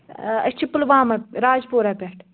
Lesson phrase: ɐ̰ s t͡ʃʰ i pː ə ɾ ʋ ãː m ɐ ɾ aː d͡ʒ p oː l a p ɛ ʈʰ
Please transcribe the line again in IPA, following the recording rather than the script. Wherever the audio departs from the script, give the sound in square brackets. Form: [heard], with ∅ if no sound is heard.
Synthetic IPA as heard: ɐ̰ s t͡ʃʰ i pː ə [l] ʋ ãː m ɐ ɾ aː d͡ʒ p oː [ɾ] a p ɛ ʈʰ